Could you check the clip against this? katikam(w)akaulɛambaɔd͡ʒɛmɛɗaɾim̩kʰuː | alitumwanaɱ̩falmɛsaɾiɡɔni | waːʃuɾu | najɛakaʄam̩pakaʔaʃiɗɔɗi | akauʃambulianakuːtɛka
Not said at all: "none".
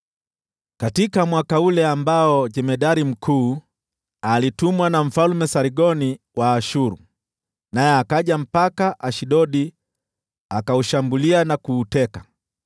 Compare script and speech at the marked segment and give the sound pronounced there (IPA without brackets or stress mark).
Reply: w